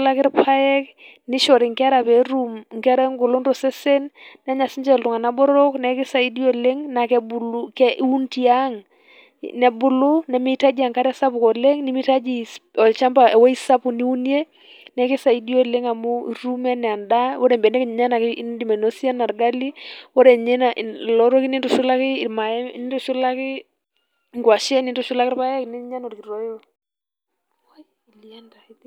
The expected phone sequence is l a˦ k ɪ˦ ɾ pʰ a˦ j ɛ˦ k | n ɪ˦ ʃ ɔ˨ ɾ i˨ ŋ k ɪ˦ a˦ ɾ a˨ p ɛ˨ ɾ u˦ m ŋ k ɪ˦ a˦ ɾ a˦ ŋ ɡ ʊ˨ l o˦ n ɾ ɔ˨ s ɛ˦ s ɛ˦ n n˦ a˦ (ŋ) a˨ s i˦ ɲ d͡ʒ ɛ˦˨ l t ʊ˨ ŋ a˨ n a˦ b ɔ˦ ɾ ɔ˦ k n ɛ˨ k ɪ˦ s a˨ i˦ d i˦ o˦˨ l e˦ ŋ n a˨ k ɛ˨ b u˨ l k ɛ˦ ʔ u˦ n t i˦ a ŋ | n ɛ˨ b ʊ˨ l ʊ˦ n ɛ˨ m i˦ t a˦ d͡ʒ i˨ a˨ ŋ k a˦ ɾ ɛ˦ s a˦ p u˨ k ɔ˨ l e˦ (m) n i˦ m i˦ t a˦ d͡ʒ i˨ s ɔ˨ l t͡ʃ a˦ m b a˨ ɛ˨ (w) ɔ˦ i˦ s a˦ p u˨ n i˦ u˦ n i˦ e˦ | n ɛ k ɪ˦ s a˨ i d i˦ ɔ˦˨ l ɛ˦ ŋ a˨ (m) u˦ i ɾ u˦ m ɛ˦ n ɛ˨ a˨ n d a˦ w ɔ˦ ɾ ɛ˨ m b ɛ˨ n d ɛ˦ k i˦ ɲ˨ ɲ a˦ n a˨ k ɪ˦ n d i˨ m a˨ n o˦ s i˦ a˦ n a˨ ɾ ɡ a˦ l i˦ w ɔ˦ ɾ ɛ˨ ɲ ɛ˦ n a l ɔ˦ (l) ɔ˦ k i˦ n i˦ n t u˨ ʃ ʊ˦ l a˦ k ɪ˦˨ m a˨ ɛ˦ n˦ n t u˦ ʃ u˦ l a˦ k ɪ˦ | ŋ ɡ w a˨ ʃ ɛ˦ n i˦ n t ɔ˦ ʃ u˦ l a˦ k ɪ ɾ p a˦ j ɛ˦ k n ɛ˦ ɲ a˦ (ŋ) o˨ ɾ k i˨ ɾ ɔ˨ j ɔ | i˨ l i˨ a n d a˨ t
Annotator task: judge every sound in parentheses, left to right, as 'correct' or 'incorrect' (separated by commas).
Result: incorrect, incorrect, correct, correct, incorrect, incorrect